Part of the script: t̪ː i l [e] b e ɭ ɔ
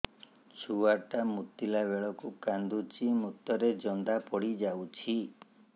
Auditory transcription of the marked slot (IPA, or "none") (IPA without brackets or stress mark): a